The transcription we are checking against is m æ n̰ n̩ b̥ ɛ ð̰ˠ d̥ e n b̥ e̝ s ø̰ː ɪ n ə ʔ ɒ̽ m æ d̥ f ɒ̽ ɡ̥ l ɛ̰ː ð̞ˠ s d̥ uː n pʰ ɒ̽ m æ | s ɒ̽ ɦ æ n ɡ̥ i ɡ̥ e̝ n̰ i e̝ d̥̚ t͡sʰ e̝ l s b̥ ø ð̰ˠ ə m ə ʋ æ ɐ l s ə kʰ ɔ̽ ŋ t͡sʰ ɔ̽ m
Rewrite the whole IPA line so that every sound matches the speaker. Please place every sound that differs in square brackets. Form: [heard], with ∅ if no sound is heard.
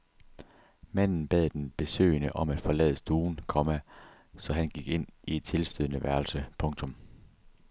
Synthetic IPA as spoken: m æ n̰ n̩ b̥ ɛ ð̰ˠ d̥ e n b̥ e̝ s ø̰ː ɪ n ə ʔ ɒ̽ m æ d̥ f ɒ̽ [∅] l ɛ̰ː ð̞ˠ s d̥ uː n [kʰ] ɒ̽ m æ | s ɒ̽ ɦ æ n ɡ̥ i ɡ̥ e̝ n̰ i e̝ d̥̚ t͡sʰ e̝ l s [d̥] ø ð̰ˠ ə [n] ə ʋ æ ɐ l s ə [pʰ] ɔ̽ ŋ t͡sʰ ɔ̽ m